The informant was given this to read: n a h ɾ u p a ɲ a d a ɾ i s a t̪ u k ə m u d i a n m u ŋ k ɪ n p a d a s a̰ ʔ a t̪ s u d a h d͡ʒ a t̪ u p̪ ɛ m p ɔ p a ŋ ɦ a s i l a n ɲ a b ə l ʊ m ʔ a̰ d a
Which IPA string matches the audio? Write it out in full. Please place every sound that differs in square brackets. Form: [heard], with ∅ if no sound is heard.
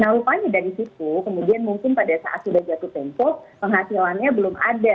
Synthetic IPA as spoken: n a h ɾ u p a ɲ a d a ɾ i s [i] t̪ u k ə m u d i a n m u ŋ k ɪ n p a d a s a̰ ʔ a t̪ s u d a h d͡ʒ a t̪ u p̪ ɛ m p ɔ p [ə] ŋ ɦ a s i l a n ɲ a b ə l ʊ m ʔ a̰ d a